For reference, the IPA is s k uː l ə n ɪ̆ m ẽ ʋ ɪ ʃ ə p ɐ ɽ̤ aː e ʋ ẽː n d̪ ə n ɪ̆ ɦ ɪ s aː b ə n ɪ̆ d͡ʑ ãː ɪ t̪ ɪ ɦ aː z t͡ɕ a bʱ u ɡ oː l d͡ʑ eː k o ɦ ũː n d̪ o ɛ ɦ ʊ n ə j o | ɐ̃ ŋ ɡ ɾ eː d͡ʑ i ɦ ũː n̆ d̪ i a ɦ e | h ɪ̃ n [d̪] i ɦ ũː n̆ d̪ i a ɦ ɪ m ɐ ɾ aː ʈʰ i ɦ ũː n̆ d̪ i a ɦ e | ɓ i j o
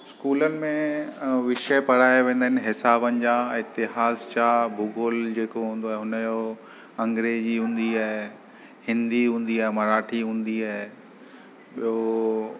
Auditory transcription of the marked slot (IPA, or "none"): d̪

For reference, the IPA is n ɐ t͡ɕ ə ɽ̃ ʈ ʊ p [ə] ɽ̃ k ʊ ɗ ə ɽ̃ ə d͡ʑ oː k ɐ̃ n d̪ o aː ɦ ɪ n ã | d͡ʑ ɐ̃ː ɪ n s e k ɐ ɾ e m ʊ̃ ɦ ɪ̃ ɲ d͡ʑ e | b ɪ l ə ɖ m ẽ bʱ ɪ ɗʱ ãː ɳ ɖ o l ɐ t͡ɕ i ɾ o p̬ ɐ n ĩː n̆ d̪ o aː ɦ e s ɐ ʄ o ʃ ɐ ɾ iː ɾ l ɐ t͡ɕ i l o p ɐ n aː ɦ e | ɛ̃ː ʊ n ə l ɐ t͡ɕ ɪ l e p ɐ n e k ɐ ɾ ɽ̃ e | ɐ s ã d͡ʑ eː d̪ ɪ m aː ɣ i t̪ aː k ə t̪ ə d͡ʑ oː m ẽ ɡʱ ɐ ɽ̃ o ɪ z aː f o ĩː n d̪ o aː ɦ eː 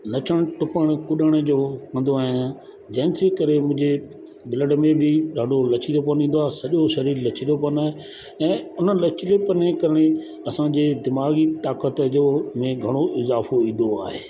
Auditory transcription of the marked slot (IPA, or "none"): ə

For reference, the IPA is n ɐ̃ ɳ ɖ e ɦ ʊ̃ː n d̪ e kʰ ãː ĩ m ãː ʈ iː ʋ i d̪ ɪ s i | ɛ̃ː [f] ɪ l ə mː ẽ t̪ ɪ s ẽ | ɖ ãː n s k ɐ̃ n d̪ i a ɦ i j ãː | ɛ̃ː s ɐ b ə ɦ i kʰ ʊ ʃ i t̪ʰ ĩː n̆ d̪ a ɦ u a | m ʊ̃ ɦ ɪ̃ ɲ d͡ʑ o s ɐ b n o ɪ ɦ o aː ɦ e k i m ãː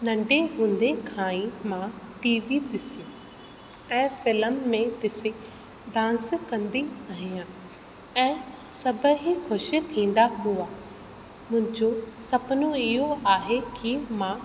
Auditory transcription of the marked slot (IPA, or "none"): f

